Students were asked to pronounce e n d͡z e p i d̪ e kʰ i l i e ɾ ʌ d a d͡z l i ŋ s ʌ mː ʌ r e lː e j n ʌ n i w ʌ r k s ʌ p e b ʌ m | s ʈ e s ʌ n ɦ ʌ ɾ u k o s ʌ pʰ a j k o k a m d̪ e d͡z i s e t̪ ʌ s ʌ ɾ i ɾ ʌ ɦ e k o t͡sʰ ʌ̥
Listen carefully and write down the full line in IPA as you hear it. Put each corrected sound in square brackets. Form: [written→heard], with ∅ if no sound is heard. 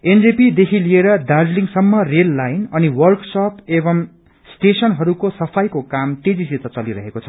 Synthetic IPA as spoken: e n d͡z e p i d̪ e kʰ i l i e ɾ ʌ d a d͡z l i ŋ s ʌ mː ʌ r e lː [e→a] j n ʌ n i w ʌ r k s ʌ p e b ʌ m | s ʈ e s ʌ n ɦ ʌ ɾ u k o s ʌ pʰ a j k o k a m [d̪→t̪] e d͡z i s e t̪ ʌ [s→t͡s] ʌ [ɾ→l] i ɾ ʌ ɦ e k o t͡sʰ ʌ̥